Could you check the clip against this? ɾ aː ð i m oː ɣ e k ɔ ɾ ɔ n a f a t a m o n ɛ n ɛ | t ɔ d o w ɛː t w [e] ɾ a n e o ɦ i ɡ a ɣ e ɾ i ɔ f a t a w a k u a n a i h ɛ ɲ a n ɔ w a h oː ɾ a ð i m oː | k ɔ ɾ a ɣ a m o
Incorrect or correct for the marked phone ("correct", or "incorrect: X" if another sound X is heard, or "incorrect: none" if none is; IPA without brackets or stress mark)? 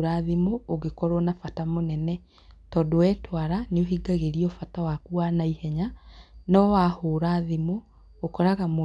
incorrect: a